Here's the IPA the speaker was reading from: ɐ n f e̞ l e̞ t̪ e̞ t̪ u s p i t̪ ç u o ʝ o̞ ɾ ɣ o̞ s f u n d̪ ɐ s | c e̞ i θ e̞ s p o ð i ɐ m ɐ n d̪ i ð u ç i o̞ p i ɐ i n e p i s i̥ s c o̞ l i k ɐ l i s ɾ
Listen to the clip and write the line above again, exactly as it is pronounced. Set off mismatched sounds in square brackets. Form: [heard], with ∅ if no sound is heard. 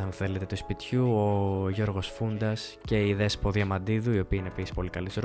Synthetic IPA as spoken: ɐ n [θ] e̞ l e̞ t̪ e̞ t̪ u s p i t̪ ç u o ʝ o̞ ɾ ɣ o̞ s f u n d̪ ɐ s | c e̞ i [ð] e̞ s p o ð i ɐ m ɐ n d̪ i ð u [∅] i o̞ p i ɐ i n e p i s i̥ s [p] o̞ l i k ɐ l i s ɾ